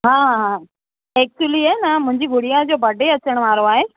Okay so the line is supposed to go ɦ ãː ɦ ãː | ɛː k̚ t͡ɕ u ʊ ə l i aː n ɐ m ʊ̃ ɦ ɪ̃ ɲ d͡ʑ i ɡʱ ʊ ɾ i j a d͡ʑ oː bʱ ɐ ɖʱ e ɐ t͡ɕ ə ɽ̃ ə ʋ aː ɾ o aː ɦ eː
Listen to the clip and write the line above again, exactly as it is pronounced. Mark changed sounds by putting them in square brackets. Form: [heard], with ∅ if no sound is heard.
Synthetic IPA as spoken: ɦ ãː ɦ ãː | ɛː k̚ t͡ɕ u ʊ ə l i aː n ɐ m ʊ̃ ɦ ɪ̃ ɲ d͡ʑ i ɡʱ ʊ [ɽ] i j a d͡ʑ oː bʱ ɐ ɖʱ e ɐ t͡ɕ ə ɽ̃ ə ʋ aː ɾ o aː ɦ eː